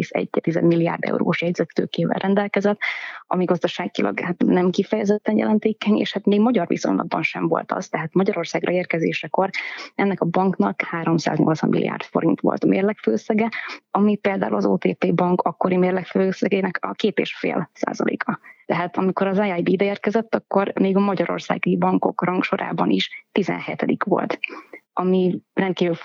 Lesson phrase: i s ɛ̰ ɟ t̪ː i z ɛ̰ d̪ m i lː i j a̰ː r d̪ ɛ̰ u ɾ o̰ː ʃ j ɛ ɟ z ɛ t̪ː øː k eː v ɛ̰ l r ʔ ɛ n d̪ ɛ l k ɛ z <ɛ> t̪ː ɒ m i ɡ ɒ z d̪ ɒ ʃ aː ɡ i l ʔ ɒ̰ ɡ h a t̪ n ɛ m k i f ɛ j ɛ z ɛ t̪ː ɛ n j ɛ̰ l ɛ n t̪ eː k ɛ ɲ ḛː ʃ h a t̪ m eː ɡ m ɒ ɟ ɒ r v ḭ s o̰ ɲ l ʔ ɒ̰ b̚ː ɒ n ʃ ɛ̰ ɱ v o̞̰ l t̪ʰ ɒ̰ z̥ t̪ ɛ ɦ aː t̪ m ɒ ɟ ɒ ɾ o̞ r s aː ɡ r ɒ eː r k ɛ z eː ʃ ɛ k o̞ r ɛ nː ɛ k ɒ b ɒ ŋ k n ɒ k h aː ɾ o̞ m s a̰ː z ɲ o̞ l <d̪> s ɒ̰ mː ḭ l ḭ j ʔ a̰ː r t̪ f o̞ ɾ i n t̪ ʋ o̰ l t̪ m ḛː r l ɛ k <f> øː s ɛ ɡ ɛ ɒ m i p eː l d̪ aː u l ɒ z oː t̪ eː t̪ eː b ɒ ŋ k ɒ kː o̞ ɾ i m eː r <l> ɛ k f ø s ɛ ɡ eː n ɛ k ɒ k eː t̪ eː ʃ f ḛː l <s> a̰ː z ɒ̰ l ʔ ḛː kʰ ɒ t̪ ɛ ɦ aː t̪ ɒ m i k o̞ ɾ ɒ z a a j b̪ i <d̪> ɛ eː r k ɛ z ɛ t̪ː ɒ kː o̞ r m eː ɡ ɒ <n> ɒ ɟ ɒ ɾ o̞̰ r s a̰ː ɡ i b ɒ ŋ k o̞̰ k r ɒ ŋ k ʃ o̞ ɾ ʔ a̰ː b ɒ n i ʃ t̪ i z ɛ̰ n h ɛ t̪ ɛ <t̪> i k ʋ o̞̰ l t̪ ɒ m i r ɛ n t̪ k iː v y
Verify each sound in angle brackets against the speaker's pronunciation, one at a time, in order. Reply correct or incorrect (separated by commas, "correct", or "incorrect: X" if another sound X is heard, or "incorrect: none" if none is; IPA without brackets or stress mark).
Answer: correct, incorrect: t̪, correct, correct, correct, correct, incorrect: m, incorrect: d̪